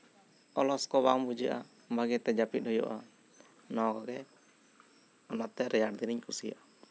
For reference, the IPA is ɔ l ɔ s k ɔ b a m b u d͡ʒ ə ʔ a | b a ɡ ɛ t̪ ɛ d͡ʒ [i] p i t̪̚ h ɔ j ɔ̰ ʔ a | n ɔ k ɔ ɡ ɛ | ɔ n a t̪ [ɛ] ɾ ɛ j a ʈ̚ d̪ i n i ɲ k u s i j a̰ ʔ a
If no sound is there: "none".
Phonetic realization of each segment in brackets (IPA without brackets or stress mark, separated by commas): a, ɛ